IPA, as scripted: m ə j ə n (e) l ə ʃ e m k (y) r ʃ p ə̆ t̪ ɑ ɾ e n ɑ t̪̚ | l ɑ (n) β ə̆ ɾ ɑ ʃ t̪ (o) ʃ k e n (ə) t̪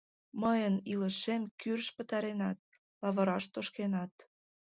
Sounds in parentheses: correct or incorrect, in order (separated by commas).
incorrect, correct, incorrect, correct, incorrect